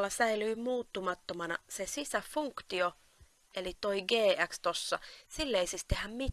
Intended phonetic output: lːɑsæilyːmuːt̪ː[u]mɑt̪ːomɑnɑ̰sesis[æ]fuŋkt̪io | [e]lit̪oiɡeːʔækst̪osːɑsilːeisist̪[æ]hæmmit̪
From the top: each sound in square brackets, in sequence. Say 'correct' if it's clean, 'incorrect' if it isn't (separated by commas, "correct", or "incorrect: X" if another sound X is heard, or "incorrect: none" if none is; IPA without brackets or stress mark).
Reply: correct, correct, correct, incorrect: e